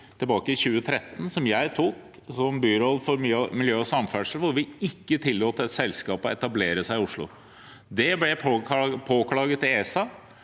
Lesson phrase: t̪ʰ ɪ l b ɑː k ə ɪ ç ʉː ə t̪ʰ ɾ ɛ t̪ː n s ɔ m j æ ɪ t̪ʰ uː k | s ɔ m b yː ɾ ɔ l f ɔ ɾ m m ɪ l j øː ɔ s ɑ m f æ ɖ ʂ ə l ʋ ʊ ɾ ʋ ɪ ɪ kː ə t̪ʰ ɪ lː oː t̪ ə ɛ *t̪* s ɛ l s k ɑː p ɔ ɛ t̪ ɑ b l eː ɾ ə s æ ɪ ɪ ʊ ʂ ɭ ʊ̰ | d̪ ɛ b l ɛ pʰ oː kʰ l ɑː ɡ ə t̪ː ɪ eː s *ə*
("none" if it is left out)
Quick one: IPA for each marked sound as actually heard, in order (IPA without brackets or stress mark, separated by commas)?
t̪, ɑ